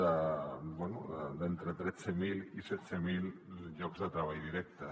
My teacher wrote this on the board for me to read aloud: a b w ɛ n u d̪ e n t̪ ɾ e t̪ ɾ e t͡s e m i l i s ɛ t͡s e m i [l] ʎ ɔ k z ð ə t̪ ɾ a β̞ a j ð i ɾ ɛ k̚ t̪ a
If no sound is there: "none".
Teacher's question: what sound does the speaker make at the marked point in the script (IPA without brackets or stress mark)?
l